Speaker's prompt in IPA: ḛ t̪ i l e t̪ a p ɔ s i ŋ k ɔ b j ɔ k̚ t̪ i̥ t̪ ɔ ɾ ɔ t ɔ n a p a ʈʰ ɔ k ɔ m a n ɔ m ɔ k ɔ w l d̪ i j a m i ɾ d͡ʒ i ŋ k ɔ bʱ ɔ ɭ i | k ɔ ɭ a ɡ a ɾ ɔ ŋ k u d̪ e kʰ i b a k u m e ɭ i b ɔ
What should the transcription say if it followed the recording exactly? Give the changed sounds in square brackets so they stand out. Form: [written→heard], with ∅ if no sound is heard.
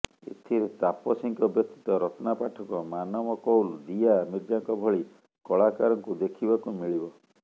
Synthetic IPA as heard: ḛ [t̪→t̪ʰ] i [l→ɾ] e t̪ a p ɔ s i ŋ k ɔ b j ɔ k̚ t̪ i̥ t̪ ɔ ɾ ɔ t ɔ n a p a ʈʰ ɔ k ɔ m a n ɔ m ɔ k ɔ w l d̪ i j a m i ɾ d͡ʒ [i→a] ŋ k ɔ bʱ ɔ ɭ i | k ɔ ɭ a [ɡ→k] a ɾ ɔ ŋ k u d̪ e kʰ i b a k u m [e→i] ɭ i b ɔ